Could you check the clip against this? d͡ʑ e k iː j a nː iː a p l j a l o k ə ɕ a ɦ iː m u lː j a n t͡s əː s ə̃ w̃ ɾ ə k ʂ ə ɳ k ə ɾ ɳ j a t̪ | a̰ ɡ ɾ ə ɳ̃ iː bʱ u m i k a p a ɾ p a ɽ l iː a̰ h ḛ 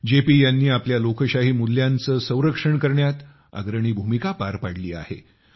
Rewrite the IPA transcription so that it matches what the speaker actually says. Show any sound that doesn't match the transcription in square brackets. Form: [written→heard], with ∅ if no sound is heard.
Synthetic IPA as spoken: d͡ʑ e [k→p] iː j a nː iː a p l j a l o k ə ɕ a ɦ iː m u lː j a n t͡s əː s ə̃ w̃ ɾ ə k ʂ ə ɳ k ə ɾ ɳ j a t̪ | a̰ ɡ ɾ ə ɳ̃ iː bʱ u m i k a p a ɾ p a ɽ l iː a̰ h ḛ